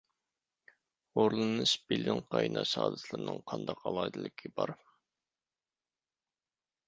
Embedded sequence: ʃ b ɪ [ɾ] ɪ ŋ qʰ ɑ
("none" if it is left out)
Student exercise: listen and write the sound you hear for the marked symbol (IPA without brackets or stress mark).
l